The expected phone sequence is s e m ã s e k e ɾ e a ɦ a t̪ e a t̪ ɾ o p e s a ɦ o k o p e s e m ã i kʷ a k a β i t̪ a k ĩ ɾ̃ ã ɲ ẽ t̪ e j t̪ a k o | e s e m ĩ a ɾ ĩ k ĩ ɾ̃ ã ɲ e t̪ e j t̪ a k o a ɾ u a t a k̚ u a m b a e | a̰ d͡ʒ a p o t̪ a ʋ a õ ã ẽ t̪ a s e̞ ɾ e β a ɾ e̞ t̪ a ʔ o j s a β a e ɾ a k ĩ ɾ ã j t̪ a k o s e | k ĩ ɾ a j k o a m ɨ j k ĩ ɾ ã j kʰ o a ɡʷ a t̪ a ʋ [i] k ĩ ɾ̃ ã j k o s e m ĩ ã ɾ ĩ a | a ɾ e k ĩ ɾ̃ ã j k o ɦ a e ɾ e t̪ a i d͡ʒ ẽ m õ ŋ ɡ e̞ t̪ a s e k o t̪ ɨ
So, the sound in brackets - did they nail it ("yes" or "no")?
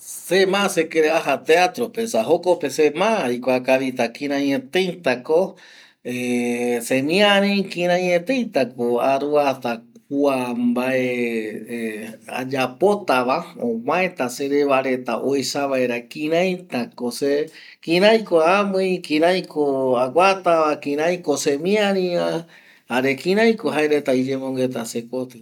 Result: no